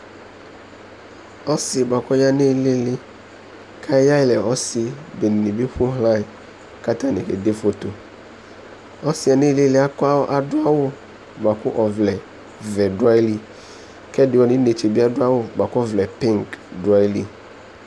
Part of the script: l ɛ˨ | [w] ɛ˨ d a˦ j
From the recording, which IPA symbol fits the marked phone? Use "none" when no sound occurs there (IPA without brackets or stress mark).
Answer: v